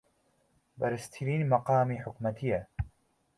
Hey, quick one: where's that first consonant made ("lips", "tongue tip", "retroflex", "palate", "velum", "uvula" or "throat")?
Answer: lips